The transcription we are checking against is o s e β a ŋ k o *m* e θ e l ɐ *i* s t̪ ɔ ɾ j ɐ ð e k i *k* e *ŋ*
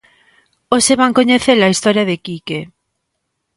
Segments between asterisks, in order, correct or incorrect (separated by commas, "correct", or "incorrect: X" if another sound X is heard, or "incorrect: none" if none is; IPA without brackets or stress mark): incorrect: ɲ, correct, correct, incorrect: none